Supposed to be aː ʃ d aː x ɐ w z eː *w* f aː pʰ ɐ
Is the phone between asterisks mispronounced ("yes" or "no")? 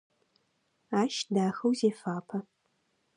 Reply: yes